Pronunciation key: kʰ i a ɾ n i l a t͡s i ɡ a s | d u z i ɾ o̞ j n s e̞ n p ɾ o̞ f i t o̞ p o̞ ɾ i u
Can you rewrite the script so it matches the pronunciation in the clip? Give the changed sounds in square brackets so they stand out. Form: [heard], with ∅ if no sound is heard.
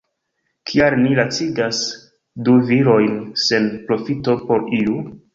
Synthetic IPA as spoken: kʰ i a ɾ n i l a t͡s i ɡ a s | d u [v] i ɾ o̞ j n s e̞ n p ɾ o̞ f i t o̞ p o̞ ɾ i u